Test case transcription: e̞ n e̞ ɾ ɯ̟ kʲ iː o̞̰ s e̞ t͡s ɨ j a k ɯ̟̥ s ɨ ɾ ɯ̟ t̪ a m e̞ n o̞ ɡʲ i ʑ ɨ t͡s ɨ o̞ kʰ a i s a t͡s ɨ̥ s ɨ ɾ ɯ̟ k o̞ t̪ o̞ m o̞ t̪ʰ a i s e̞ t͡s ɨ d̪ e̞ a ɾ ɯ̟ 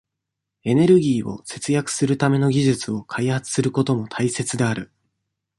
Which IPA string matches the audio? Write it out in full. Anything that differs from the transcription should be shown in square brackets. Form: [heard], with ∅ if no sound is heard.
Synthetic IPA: e̞ n e̞ ɾ ɯ̟ [ɡʲ] iː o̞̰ s e̞ t͡s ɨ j a k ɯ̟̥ s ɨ ɾ ɯ̟ t̪ a m e̞ n o̞ ɡʲ i ʑ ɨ t͡s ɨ o̞ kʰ a i [h] a t͡s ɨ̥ s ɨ ɾ ɯ̟ k o̞ t̪ o̞ m o̞ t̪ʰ a i s e̞ t͡s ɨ d̪ e̞ a ɾ ɯ̟